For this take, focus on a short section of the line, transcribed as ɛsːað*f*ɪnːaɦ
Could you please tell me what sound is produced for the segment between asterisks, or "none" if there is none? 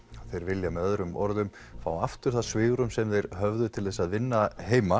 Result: v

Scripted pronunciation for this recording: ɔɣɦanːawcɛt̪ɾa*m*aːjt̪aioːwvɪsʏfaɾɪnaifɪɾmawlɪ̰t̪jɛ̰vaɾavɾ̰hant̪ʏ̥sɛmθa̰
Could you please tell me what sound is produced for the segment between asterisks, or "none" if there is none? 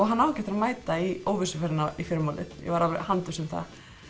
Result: m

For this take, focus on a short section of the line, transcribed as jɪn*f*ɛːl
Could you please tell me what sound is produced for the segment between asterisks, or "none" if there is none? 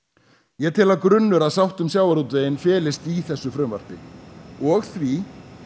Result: f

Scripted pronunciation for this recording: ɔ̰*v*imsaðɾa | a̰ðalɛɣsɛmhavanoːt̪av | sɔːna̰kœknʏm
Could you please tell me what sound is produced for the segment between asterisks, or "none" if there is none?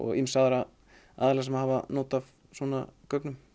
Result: ɣ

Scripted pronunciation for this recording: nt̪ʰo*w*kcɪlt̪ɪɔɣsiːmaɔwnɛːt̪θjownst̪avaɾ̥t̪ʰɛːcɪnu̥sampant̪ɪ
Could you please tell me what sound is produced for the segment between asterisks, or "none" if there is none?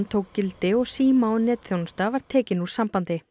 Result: w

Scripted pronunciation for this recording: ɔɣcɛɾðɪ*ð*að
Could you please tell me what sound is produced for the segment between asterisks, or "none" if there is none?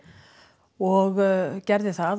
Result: θ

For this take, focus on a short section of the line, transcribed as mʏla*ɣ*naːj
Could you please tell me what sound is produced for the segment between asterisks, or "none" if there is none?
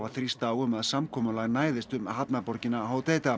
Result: ɣ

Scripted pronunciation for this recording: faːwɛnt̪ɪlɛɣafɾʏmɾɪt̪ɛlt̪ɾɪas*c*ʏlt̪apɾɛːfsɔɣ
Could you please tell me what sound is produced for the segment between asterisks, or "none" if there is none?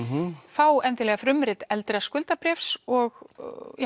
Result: k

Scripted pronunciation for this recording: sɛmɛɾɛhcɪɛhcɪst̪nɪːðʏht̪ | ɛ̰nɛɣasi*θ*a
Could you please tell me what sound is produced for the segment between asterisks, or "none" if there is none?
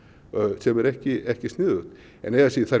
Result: θ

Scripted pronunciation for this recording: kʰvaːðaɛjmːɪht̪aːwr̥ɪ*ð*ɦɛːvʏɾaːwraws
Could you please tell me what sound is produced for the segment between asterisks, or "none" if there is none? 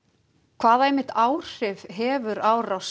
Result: v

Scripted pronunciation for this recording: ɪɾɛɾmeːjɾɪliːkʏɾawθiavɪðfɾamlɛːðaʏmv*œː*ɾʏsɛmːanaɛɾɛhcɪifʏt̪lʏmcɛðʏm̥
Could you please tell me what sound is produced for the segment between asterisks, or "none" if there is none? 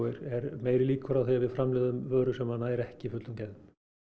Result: œː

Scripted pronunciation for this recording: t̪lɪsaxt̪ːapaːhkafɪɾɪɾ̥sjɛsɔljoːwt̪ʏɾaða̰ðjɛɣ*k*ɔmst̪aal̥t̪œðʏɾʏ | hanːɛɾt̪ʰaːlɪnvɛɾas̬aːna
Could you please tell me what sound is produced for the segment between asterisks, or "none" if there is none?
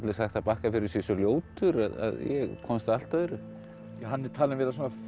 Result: kʰ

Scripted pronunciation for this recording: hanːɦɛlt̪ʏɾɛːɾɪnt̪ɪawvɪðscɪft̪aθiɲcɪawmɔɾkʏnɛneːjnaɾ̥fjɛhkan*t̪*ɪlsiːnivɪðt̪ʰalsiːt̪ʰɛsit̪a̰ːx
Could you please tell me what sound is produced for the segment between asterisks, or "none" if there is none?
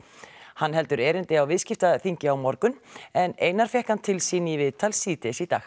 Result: t̪ʰ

